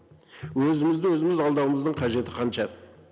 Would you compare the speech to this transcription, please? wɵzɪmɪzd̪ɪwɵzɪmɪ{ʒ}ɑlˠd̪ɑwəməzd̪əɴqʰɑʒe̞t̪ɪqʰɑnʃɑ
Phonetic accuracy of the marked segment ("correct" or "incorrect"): incorrect